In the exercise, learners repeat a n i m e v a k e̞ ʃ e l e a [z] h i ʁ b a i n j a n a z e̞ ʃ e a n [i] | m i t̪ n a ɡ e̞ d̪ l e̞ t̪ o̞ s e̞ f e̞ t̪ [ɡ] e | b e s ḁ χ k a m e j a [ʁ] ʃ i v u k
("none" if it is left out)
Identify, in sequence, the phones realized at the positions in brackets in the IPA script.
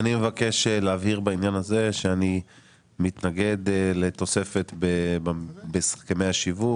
v, i, b, none

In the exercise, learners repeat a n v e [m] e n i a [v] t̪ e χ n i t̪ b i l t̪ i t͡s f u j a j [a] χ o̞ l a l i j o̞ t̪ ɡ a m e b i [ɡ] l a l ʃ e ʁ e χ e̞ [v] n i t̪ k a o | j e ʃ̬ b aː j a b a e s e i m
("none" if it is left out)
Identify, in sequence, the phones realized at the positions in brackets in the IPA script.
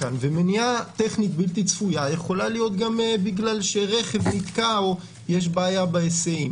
m, none, e, ɡ, v

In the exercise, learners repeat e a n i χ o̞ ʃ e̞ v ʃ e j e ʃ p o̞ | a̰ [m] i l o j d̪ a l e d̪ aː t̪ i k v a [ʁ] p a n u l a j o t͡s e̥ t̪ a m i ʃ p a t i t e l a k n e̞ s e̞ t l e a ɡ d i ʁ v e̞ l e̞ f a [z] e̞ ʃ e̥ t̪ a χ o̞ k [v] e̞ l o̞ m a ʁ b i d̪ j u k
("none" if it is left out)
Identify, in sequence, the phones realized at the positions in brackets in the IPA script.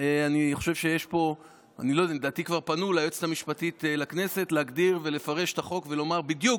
n, ʁ, ʁ, v

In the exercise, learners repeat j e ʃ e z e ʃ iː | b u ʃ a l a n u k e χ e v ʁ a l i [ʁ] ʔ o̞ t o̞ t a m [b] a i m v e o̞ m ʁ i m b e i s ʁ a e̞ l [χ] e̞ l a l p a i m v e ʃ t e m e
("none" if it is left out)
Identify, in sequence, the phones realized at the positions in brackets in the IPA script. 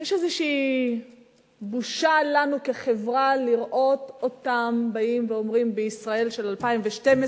ʁ, b, ʃ

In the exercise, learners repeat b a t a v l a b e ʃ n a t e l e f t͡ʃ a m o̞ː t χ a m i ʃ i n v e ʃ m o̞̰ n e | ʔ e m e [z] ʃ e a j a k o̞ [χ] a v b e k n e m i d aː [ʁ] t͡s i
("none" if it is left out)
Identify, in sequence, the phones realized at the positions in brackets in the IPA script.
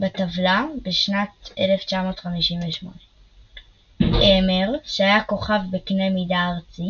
ʁ, χ, ʁ

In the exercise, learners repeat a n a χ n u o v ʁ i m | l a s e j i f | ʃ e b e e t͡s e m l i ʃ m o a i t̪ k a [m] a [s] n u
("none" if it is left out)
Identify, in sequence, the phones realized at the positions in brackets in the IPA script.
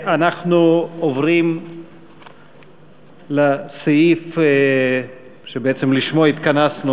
n, s

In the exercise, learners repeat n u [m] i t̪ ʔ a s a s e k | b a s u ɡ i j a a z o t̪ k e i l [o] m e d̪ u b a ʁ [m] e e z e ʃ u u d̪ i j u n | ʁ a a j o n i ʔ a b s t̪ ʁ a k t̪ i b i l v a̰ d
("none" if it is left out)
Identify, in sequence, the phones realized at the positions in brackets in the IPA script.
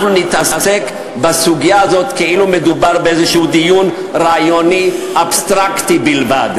n, u, b

